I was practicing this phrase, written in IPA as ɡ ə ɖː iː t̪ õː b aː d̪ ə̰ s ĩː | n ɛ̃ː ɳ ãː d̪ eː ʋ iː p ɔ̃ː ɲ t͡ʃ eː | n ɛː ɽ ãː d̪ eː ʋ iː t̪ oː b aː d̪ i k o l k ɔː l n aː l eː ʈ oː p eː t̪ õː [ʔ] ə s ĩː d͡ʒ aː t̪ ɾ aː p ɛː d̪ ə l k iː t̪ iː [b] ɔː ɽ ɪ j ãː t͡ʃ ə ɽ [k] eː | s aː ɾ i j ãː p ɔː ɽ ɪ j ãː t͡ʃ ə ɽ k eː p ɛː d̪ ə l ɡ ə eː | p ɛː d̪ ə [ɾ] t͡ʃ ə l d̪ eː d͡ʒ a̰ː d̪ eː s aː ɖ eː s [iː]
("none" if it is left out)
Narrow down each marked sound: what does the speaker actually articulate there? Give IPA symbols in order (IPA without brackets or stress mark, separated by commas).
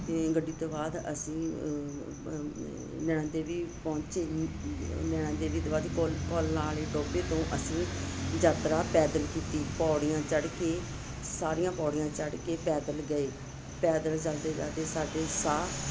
ʔ, p, k, l, aː